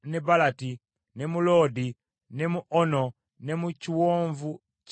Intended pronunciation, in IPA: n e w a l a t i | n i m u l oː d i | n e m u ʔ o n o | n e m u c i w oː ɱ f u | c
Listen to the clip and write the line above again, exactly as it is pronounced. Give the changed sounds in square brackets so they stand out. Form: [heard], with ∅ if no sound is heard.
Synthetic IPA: n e [b] a l a t i | n [e] m u l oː d i | n e m u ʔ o n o | n e m u c i w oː ɱ [v] u | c

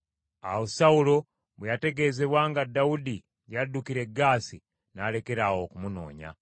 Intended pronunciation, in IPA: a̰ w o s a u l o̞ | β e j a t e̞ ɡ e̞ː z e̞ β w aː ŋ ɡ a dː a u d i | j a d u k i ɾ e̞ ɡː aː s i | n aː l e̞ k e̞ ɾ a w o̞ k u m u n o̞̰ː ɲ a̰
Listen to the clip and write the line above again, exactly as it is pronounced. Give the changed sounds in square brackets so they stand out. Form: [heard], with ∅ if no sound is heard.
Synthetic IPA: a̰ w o s a u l o̞ | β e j a t e̞ ɡ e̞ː z e̞ β w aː ŋ ɡ a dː a u d i | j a d u k i ɾ e̞ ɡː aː s i | n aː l e̞ k e̞ ɾ a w o̞ k u m u n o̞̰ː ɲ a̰

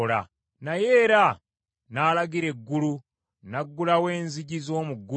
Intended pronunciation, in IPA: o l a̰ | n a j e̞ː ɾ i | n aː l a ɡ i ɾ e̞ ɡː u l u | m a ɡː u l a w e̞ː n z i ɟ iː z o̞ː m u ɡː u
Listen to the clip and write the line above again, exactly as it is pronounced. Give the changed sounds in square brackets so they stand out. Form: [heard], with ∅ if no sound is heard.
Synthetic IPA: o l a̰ | n a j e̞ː ɾ [a] | n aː l a ɡ i ɾ e̞ ɡː u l u | [n] a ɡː u l a w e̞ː n z i ɟ [i] z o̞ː m u ɡː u

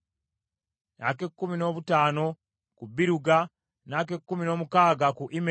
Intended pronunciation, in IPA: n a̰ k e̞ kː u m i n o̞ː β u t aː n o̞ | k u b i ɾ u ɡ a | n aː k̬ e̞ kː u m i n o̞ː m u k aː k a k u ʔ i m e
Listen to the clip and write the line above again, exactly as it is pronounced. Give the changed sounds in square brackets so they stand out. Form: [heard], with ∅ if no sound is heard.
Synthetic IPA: n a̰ k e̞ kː u m i n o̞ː β u t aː n o̞ | k u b i ɾ u ɡ a | n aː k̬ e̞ kː u m i n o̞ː m u k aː [ɡ] a k u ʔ i m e

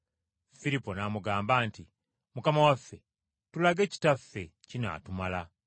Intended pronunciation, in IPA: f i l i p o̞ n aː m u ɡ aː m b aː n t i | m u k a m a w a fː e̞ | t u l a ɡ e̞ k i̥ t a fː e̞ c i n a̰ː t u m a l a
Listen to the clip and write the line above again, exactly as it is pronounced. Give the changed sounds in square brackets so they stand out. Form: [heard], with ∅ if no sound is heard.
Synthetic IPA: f i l i p o̞ n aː m u ɡ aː m b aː n t i | m u k a m a w a fː e̞ | t u l a ɡ e̞ [c] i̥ t a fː e̞ c i n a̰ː t u m a l a

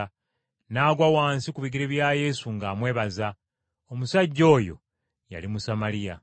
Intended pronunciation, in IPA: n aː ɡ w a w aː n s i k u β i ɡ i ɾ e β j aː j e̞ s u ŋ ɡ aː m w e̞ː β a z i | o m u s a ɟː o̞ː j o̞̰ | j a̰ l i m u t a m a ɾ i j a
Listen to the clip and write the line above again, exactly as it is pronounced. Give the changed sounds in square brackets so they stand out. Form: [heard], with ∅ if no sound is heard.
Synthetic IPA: n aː ɡ w a w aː n s i k u β i ɡ i ɾ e β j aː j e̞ s u ŋ ɡ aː m w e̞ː β a z [a] | o m u s a ɟː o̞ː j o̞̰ | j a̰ l i m u [s] a m a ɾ i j a

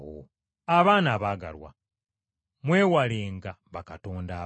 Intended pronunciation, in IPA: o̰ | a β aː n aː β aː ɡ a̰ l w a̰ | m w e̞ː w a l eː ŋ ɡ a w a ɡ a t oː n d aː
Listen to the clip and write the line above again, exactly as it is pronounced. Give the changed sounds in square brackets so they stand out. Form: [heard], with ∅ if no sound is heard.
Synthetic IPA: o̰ | a β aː n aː β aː ɡ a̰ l w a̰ | m w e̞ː w a l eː ŋ ɡ a [β] a [k] a t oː n d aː

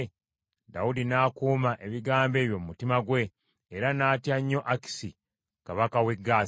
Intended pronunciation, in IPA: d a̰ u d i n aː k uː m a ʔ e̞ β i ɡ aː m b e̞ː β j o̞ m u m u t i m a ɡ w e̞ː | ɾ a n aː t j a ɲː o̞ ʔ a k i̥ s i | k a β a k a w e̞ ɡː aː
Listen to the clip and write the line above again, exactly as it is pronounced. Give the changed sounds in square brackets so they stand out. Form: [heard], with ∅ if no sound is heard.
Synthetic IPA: d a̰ u d i n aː k uː m a ʔ e̞ β i ɡ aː m b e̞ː β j o̞ m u m u t i m a ɡ w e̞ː | ɾ a n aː t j a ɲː o̞ ʔ a k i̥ s i | k a β a k a w e̞ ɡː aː

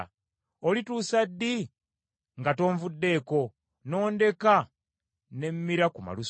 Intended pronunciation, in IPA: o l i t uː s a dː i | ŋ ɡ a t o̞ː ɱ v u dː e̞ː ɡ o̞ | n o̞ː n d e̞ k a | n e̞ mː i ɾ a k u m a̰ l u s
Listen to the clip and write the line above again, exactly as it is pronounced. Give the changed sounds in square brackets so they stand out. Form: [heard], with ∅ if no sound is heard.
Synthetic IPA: o l i t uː s a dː i | ŋ ɡ a t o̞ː ɱ v u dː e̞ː [k] o̞ | n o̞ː n d e̞ k a | n e̞ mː i ɾ a k u m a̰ l u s

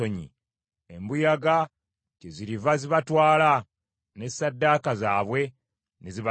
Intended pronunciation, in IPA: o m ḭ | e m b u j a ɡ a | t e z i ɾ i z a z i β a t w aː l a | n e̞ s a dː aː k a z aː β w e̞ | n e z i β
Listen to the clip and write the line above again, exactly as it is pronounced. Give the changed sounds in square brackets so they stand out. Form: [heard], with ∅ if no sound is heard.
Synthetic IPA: o [ɲ] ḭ | e m b u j a ɡ a | [c] e z i ɾ i [v] a z i β a t w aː l a | n e̞ s a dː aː k a z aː β w e̞ | n e z i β

